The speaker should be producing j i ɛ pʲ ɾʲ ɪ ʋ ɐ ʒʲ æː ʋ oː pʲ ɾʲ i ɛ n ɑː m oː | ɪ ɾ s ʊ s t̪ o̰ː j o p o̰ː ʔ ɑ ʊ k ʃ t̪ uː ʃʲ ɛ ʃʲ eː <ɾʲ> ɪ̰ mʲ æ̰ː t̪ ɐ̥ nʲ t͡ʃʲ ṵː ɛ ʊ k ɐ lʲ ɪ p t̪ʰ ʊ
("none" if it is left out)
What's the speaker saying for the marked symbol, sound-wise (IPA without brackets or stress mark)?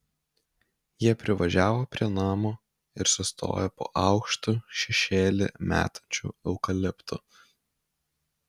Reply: lʲ